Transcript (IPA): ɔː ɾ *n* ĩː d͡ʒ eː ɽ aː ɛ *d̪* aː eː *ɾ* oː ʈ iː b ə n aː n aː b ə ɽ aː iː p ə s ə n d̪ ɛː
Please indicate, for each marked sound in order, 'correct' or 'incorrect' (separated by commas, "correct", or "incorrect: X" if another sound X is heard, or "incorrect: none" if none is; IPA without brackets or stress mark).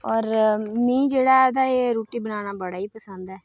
incorrect: m, correct, correct